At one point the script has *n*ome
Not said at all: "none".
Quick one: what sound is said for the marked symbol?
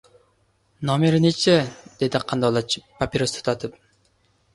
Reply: n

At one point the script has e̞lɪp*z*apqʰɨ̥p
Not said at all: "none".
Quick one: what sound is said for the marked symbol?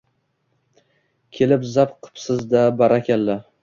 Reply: z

